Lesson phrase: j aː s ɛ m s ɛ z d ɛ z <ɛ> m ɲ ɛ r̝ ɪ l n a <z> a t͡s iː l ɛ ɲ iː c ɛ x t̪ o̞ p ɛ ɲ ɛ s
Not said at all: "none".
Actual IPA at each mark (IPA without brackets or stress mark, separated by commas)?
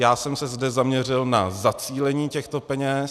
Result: a, z